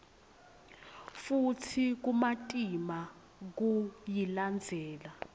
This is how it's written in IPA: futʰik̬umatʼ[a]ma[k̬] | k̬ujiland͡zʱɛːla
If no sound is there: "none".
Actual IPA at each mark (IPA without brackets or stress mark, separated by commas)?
i, none